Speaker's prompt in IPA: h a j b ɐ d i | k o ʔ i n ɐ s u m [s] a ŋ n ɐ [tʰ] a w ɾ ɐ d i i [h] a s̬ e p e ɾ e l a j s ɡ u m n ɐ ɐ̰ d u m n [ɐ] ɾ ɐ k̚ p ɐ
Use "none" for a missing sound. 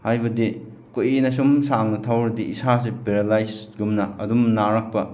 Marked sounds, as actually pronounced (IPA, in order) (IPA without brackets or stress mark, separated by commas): s, tʰ, s, a